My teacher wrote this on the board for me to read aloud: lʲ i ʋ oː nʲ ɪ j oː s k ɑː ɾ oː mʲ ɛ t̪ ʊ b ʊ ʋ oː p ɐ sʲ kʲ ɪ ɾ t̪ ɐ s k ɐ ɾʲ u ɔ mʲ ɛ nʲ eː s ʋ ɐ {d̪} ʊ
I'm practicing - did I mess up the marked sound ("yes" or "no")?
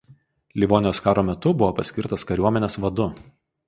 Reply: no